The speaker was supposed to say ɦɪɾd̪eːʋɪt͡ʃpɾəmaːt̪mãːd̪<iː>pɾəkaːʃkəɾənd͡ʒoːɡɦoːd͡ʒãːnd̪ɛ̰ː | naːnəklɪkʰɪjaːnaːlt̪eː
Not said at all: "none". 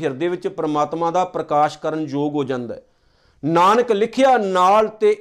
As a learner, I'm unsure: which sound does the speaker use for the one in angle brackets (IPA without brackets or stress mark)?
aː